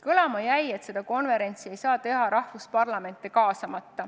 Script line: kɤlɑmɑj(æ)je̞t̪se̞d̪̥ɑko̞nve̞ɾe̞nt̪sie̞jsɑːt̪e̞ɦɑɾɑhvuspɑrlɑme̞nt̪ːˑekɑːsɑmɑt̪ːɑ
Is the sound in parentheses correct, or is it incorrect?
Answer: correct